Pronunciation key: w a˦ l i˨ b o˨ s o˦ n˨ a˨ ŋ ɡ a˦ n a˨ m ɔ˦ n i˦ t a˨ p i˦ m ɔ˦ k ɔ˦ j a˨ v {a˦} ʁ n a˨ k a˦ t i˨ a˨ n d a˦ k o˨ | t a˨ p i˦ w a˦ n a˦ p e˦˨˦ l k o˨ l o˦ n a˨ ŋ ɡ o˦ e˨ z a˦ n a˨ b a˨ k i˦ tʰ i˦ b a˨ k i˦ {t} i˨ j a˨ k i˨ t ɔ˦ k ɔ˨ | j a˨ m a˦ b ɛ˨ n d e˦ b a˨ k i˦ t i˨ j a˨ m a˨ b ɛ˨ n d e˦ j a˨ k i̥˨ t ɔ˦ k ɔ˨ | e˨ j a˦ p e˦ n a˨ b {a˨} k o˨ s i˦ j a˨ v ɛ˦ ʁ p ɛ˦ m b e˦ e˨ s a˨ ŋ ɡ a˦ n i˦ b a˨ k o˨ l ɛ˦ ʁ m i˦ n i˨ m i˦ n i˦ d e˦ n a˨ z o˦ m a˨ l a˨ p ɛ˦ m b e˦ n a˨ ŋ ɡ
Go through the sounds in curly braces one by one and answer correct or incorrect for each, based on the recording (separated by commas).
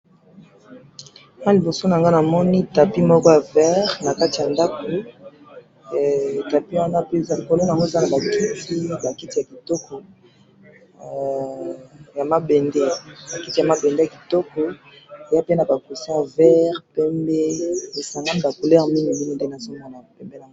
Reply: incorrect, correct, correct